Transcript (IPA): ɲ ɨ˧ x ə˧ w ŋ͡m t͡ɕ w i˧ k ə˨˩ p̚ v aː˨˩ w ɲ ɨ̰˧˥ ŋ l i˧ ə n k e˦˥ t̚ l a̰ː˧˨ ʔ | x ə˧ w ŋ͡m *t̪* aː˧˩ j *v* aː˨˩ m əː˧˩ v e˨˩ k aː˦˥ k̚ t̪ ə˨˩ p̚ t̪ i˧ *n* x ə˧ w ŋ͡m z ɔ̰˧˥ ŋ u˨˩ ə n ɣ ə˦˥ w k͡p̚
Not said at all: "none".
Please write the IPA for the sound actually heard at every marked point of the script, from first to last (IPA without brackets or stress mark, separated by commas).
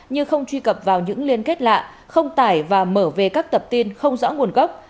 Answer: t̪, v, n